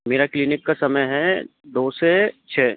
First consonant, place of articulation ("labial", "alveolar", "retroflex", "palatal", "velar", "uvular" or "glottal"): labial